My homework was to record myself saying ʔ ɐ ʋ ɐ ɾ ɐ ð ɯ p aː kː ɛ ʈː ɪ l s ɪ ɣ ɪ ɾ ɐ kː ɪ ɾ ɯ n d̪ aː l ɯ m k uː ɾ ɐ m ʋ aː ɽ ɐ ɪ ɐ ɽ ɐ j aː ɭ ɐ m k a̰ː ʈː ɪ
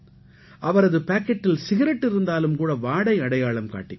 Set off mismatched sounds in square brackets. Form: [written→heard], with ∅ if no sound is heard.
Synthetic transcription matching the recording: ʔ ɐ ʋ ɐ ɾ ɐ ð ɯ p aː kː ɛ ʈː ɪ l s ɪ ɣ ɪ ɾ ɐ [kː→ʈː] ɪ ɾ ɯ n d̪ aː l ɯ m k uː [ɾ→ɽ] ɐ [m→∅] ʋ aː ɽ ɐ ɪ ɐ ɽ ɐ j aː ɭ ɐ m k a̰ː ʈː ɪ